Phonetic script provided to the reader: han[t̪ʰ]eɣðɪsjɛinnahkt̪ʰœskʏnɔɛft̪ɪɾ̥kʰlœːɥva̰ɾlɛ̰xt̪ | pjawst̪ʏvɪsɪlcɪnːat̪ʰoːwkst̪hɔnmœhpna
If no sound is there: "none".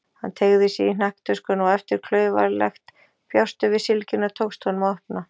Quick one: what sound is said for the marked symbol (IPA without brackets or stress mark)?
t̪ʰ